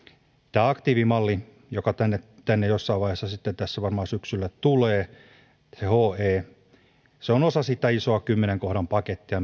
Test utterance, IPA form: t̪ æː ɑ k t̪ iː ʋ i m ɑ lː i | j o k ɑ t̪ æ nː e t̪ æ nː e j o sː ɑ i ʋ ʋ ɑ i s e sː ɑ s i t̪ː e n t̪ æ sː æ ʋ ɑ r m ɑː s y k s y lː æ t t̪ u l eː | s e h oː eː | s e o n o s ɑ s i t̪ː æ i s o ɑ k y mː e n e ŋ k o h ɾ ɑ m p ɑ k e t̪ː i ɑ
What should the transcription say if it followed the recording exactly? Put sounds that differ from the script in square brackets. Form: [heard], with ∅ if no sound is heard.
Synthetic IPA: t̪ æː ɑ k t̪ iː ʋ i m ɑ lː i | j o k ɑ t̪ æ nː e t̪ æ nː e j o sː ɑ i ʋ ʋ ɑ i [h] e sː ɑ s i t̪ː e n t̪ æ sː æ ʋ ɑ r m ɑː s y k s y lː æ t t̪ u l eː | s e h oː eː | s e o n o s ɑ s i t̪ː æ i s o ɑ k y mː e n e ŋ k o h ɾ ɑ m p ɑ k e t̪ː i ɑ